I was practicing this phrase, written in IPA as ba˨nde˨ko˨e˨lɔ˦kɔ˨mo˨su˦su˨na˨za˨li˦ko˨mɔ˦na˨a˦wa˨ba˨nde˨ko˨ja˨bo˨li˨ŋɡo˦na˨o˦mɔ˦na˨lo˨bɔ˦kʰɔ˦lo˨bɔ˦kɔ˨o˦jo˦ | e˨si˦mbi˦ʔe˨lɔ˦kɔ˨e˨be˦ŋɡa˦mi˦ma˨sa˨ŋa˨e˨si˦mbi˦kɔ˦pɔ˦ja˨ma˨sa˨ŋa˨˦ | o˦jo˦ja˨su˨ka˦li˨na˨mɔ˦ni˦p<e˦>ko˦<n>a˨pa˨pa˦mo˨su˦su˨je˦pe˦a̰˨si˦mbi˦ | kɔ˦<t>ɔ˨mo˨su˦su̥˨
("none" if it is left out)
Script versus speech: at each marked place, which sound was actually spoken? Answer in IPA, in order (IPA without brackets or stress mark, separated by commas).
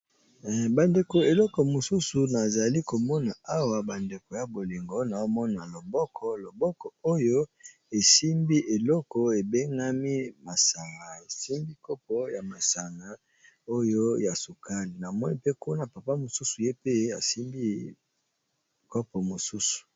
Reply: e˦, n, p